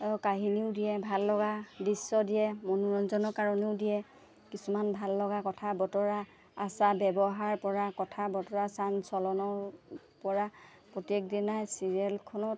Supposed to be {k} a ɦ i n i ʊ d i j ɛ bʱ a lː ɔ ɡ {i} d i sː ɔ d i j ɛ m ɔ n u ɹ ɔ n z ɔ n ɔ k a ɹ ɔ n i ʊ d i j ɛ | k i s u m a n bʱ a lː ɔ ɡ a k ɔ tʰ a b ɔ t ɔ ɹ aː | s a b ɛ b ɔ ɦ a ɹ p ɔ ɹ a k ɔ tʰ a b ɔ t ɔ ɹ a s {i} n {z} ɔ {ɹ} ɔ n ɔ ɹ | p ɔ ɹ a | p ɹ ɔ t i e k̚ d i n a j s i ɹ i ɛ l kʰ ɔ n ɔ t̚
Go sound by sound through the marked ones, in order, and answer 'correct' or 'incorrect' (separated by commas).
correct, incorrect, incorrect, incorrect, incorrect